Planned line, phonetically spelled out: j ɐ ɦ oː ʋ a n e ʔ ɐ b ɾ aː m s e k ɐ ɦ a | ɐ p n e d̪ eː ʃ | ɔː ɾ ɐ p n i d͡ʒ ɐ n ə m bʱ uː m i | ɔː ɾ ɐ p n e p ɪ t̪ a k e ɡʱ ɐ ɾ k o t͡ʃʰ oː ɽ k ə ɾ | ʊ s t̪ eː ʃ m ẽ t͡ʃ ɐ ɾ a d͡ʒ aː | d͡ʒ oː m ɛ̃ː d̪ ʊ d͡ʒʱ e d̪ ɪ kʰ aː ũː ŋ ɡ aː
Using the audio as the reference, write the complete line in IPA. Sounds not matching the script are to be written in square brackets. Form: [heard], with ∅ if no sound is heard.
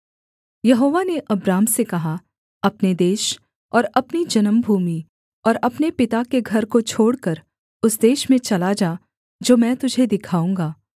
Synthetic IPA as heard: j ɐ ɦ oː ʋ a n e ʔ ɐ b ɾ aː m s e k ɐ ɦ a | ɐ p n e d̪ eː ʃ | ɔː ɾ ɐ p n i d͡ʒ ɐ n ə m bʱ uː m i | ɔː ɾ ɐ p n e p ɪ t̪ a k e ɡʱ ɐ ɾ k o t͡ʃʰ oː ɽ k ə ɾ | ʊ s [d̪] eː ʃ m ẽ t͡ʃ ɐ [l] a d͡ʒ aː | d͡ʒ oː m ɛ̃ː [t̪] ʊ d͡ʒʱ e d̪ ɪ kʰ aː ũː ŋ ɡ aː